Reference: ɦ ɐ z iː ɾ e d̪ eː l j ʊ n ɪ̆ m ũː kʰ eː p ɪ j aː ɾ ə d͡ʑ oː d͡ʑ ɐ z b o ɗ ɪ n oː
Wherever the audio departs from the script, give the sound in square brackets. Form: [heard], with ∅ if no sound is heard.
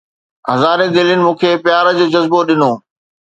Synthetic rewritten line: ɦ ɐ z [aː] ɾ e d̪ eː l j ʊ n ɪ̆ m ũː kʰ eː p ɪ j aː ɾ ə d͡ʑ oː d͡ʑ ɐ z b o ɗ ɪ n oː